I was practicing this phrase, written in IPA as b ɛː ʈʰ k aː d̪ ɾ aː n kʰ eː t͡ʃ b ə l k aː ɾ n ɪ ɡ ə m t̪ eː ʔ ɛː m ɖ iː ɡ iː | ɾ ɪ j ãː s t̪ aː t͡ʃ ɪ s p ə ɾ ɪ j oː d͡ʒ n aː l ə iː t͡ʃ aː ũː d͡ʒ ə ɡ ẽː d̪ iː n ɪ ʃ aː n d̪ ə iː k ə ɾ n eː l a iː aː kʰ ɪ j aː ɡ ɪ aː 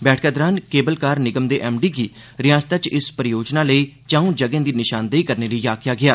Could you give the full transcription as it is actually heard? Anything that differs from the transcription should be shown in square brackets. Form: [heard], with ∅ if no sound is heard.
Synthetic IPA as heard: b ɛː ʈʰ k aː d̪ ɾ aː n [k] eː [∅] b ə l k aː ɾ n ɪ ɡ ə m [d̪] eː ʔ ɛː m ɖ iː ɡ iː | ɾ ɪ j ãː s t̪ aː t͡ʃ ɪ s p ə ɾ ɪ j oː d͡ʒ n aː l ə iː t͡ʃ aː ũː d͡ʒ ə ɡ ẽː d̪ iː n ɪ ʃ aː n d̪ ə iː k ə ɾ n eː l [ə] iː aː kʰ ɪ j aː ɡ ɪ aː